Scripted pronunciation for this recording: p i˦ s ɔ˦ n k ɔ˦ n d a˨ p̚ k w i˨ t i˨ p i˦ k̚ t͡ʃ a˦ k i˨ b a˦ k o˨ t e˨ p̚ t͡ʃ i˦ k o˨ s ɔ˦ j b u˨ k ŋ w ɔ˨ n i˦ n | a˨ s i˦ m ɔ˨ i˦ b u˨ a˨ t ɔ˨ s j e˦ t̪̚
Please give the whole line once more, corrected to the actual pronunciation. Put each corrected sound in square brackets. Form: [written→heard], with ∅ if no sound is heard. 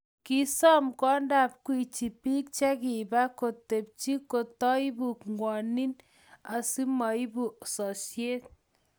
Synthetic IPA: [p→k] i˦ s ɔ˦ [n→m] k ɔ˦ n d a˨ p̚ k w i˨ [t→t͡ʃ] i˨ p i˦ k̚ t͡ʃ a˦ k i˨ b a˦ k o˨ t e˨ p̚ t͡ʃ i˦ k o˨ [s→t] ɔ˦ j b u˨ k ŋ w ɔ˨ n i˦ n | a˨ s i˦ m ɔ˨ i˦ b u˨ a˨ [t→s] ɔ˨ s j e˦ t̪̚